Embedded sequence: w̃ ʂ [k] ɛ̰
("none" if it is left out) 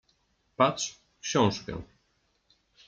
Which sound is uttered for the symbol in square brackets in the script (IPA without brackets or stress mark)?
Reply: k